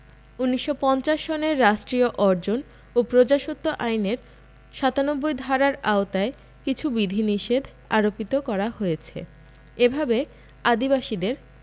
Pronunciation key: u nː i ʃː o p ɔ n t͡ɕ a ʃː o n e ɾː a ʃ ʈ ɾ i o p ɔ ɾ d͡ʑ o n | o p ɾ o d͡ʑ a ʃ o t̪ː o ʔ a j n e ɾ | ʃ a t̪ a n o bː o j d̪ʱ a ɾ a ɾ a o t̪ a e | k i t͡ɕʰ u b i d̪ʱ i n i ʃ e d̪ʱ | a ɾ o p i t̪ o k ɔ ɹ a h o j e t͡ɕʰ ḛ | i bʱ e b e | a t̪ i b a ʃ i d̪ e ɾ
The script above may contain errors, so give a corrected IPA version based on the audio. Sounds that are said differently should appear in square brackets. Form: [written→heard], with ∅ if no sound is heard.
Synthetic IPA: u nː i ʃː o p ɔ n t͡ɕ a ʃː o n e ɾː a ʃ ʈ ɾ i o [p→ʔ] ɔ ɾ d͡ʑ o n | o p ɾ o d͡ʑ a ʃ o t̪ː o ʔ a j n e ɾ | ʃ a t̪ a n o bː o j d̪ʱ a ɾ a ɾ a o t̪ a e | k i t͡ɕʰ u b i d̪ʱ i n i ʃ e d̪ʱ | a ɾ o p i t̪ o k ɔ [ɹ→ɾ] a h o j e t͡ɕʰ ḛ | [i→e] bʱ [e→a] b e | a [t̪→d̪] i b a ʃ i d̪ e ɾ